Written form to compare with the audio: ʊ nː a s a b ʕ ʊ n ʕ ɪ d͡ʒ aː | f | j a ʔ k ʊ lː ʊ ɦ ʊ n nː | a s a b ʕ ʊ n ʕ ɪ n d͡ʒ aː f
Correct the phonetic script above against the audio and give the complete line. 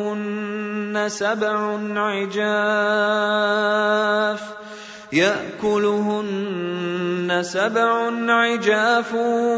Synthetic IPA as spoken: ʊ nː a s a b ʕ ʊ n ʕ ɪ d͡ʒ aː | f | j a ʔ k ʊ l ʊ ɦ ʊ n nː | a s a b ʕ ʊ n ʕ ɪ d͡ʒ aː f